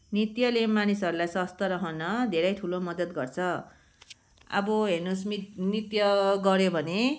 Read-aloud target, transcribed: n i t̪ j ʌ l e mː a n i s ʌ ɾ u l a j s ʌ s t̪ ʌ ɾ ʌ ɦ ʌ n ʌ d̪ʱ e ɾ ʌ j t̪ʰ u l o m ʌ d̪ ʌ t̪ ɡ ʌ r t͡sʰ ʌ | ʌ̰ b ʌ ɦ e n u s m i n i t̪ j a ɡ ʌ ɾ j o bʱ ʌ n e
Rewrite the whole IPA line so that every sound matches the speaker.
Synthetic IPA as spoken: n i t̪ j ʌ l e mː a n i s ʌ ɾ u l a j s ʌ s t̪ ʌ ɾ ʌ ɦ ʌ n ʌ d̪ʱ e ɾ ʌ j t̪ʰ u l o m ʌ d̪ ʌ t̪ ɡ ʌ r t͡sʰ ʌ | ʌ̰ b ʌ ɦ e n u s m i n i t̪ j ʌ ɡ ʌ ɾ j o bʱ ʌ n e